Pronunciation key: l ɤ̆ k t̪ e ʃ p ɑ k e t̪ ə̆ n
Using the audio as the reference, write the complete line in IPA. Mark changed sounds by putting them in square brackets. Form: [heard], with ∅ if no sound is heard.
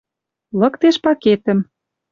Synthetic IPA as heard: l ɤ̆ k t̪ e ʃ p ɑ k e t̪ ə̆ [m]